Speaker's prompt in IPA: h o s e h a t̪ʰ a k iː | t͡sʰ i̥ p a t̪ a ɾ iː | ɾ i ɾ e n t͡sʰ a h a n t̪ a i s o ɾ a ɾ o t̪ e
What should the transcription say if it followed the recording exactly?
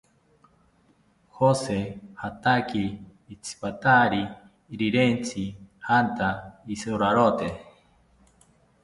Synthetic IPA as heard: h o s e h a t̪ a k iː | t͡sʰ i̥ p a t̪ a ɾ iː | ɾ i ɾ e n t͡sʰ i h a n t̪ a i s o ɾ a ɾ o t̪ e